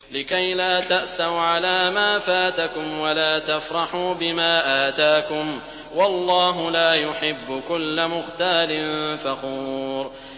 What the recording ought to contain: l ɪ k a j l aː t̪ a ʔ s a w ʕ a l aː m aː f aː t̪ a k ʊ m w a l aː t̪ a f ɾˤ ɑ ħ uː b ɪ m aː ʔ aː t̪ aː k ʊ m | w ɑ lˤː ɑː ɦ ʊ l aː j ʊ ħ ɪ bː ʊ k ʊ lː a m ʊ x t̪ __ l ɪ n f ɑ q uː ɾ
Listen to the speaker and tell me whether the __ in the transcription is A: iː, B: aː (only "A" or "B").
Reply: B